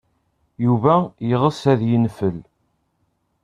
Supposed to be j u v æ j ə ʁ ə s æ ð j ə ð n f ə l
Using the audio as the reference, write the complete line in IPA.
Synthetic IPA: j u v æ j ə ʁ ə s æ ð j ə n f ə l